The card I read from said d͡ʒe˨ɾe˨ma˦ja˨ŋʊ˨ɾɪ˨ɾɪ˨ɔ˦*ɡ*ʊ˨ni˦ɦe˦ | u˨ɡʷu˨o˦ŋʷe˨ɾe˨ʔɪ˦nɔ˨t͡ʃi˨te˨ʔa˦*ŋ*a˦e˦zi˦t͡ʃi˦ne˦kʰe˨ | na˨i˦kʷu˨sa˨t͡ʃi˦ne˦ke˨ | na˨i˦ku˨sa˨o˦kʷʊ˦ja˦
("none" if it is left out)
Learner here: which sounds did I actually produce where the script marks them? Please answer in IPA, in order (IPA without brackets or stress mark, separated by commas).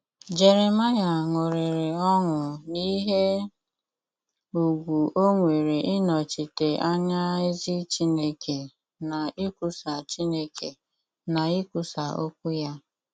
ŋ, ɲ